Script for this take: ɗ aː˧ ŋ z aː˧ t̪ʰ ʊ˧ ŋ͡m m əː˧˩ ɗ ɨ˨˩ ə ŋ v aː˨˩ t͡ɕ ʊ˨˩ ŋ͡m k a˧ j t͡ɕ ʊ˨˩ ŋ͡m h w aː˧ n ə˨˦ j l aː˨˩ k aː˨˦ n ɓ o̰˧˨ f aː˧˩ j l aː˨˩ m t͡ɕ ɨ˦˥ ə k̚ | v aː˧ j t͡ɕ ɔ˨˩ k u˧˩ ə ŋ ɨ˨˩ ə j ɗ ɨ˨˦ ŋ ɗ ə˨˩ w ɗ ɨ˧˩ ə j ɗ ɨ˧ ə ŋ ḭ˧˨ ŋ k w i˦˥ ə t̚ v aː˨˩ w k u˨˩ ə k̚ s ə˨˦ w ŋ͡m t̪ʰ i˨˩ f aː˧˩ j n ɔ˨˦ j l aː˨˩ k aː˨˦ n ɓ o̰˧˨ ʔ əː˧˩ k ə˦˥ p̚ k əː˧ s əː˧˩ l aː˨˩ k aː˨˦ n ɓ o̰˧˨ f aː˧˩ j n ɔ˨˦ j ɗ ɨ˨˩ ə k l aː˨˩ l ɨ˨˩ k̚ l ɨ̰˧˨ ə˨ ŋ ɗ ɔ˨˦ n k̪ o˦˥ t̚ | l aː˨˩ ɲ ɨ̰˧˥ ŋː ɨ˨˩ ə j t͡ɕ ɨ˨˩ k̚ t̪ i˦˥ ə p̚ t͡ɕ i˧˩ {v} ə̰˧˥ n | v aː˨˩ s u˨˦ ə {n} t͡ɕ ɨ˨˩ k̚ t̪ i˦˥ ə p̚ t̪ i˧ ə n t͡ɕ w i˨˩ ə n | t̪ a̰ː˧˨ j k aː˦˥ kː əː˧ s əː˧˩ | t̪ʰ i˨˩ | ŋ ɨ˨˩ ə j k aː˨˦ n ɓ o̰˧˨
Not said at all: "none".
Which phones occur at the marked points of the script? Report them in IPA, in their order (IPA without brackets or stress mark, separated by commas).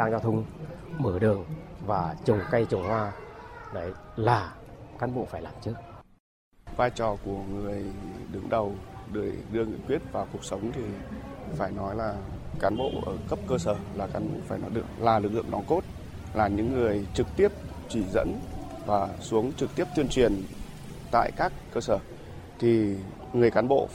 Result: z, ŋ